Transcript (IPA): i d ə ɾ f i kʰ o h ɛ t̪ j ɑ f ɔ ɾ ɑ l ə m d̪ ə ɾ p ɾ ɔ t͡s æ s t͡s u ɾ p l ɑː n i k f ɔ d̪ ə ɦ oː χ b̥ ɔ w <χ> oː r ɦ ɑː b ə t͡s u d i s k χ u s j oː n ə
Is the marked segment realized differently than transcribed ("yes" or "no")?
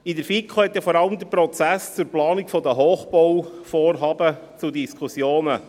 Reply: yes